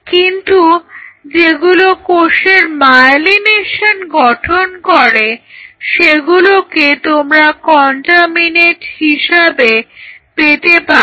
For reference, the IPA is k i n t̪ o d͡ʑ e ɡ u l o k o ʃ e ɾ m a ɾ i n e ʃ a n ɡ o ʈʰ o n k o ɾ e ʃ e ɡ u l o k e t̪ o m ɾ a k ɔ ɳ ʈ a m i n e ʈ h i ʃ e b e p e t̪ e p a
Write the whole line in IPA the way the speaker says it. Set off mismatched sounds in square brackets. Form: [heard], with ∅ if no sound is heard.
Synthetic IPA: k i n t̪ [u] d͡ʑ e ɡ u l o k o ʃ e ɾ m a [l] i n e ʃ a n ɡ [ɔ] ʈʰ o n k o ɾ e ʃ e ɡ u l o k e t̪ o m ɾ a k ɔ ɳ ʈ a m i n e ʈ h i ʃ [a] b e p e t̪ e p a